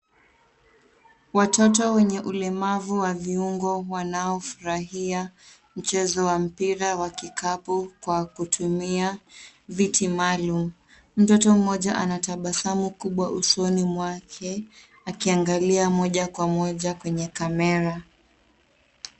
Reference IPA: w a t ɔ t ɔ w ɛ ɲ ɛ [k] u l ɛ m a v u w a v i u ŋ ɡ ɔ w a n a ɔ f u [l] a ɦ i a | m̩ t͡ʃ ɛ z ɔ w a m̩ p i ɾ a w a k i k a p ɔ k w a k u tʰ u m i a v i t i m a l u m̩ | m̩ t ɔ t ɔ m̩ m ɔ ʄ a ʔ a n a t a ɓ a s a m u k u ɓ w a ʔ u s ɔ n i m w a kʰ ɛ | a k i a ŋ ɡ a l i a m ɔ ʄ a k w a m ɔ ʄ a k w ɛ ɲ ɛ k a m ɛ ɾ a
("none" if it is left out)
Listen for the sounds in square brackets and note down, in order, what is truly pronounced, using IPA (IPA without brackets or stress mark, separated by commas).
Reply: ʔ, ɾ